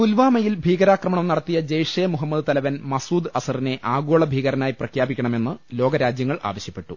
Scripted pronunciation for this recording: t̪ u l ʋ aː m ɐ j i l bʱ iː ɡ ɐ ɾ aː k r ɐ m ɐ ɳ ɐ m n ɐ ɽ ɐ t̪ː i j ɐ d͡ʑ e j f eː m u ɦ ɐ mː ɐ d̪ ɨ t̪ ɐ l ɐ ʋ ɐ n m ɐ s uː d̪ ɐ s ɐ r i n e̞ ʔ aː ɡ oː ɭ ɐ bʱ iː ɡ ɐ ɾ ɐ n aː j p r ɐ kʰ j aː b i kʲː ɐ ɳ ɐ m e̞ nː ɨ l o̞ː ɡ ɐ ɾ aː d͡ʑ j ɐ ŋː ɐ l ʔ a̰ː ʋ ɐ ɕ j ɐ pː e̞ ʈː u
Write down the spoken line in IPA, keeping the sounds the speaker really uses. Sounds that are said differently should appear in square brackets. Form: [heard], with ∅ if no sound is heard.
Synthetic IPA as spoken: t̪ u l ʋ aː m ɐ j i l bʱ iː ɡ ɐ ɾ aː k r ɐ m ɐ ɳ ɐ m n ɐ ɽ ɐ t̪ː i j ɐ d͡ʑ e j [ʂ] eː m u ɦ ɐ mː ɐ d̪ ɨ t̪ ɐ l ɐ ʋ ɐ n m ɐ s uː d̪ ɐ s ɐ r i n e̞ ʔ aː ɡ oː ɭ ɐ bʱ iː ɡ ɐ ɾ ɐ n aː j p r ɐ kʰ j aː b i kʲː ɐ ɳ ɐ m e̞ nː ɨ l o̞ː ɡ ɐ ɾ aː d͡ʑ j ɐ ŋː ɐ [ɭ] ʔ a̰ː ʋ ɐ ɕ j ɐ pː e̞ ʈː u